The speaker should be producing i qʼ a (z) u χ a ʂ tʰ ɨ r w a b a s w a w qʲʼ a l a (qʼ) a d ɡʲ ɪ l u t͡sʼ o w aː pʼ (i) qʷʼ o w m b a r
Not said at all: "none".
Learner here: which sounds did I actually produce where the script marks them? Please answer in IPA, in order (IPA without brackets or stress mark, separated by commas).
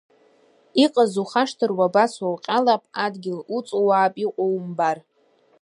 z, pʼ, i